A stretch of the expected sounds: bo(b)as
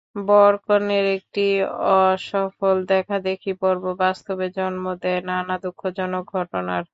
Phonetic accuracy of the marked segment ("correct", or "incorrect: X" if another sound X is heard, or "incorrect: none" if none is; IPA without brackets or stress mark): correct